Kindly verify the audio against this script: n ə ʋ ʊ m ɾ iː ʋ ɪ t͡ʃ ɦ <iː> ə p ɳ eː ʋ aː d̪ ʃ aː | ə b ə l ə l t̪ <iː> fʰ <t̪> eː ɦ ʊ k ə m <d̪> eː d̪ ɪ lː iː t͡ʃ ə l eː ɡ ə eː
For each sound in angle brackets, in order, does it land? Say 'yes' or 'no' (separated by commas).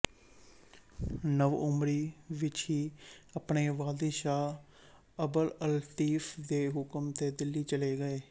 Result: yes, yes, no, no